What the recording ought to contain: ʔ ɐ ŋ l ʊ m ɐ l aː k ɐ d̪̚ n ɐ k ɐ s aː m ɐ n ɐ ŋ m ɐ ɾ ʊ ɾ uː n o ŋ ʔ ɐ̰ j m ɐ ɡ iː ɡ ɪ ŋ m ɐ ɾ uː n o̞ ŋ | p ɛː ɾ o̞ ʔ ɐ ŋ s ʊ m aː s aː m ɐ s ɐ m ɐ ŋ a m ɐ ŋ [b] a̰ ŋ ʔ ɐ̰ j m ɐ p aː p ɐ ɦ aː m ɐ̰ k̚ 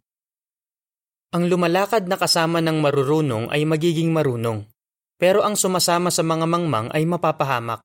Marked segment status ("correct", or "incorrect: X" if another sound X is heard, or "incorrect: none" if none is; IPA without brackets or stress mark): incorrect: m